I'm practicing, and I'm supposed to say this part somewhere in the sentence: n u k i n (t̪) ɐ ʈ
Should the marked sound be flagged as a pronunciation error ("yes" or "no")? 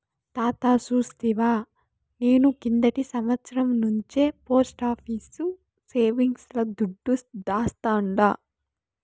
yes